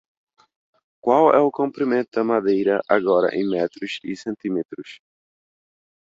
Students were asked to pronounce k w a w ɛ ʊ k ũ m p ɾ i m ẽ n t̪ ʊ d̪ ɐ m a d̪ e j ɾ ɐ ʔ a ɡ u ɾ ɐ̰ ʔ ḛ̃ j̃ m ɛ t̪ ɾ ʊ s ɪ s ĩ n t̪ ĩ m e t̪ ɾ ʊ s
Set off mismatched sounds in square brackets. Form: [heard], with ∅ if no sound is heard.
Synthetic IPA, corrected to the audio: k w a w ɛ ʊ k [õ] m p ɾ i m ẽ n t̪ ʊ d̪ ɐ m a d̪ e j ɾ ɐ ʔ a ɡ [ɔ] ɾ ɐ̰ ʔ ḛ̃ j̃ m ɛ t̪ ɾ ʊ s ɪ s [ẽ] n t̪ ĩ m e t̪ ɾ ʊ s